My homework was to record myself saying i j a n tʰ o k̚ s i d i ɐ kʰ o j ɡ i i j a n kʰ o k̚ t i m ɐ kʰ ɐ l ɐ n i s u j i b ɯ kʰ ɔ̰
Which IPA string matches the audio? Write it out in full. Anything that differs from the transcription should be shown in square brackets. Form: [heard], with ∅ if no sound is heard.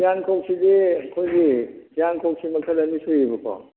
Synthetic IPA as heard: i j a n [kʰ] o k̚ s i d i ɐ kʰ o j ɡ i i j a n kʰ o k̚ [s] i m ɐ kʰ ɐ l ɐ n i s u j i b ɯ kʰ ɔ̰